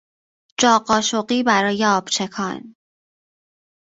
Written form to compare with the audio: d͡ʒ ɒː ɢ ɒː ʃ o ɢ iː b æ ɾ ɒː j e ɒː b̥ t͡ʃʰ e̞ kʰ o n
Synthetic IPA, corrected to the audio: d͡ʒ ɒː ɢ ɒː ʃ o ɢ iː b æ ɾ ɒː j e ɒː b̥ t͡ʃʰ e̞ kʰ ɒ n